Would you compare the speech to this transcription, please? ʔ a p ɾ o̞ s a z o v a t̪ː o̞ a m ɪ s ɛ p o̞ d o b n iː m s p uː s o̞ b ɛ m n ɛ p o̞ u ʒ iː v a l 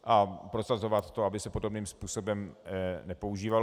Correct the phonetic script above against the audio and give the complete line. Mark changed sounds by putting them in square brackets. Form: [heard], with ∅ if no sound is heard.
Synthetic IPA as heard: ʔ a p ɾ o̞ s a z o v a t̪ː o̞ a [b] ɪ s ɛ p o̞ d o b n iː m s p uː s o̞ b ɛ m n ɛ p o̞ u ʒ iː v a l

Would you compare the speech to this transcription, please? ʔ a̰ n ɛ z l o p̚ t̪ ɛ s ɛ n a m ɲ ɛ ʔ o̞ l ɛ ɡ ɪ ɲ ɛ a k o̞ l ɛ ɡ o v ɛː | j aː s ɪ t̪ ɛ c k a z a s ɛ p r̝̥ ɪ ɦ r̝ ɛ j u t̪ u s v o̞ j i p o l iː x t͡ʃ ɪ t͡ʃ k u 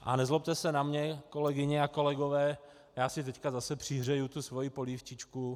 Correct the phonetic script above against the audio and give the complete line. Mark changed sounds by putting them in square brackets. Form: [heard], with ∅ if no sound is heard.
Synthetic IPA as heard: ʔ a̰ n ɛ z l o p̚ t̪ ɛ s ɛ n a m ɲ ɛ [k] o̞ l ɛ ɡ ɪ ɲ ɛ a k o̞ l ɛ ɡ o v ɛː | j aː s ɪ t̪ ɛ c k a z a s ɛ p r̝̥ ɪ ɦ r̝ ɛ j u t̪ u s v o̞ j i p o l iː [f] t͡ʃ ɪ t͡ʃ k u

